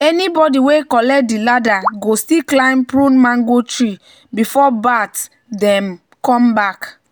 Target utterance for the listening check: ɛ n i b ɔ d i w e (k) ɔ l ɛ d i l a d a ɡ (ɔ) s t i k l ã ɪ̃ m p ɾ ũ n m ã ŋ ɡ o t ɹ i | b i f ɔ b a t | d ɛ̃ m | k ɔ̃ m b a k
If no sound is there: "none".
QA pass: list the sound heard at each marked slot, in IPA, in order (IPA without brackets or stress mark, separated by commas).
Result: k, o